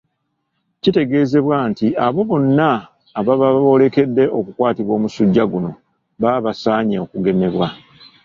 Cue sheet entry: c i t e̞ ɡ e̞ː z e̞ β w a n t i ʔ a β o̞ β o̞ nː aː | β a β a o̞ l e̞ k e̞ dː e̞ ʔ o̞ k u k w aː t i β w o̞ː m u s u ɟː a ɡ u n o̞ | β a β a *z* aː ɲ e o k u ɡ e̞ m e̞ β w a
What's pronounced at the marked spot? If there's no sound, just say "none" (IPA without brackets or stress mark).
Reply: s